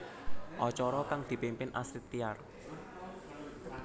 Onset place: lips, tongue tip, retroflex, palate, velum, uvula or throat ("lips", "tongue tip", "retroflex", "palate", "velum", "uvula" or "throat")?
throat